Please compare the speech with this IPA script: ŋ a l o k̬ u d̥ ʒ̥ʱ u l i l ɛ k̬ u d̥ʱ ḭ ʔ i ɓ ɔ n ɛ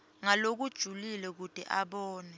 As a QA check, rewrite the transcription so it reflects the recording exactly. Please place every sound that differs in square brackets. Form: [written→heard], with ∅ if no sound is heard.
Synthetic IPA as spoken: ŋ a l o k̬ u d̥ ʒ̥ʱ u l i l ɛ k̬ u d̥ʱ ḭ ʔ [i→a] ɓ [ɔ→ɔː] n ɛ